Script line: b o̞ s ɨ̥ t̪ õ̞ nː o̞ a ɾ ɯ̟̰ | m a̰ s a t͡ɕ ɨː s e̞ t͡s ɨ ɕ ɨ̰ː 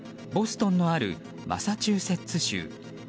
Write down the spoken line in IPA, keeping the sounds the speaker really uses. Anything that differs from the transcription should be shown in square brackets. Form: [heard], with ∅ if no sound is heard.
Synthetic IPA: b o̞ s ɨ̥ t̪ õ̞ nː o̞ a ɾ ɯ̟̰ | m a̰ s a t͡ɕ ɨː s e̞ t͡s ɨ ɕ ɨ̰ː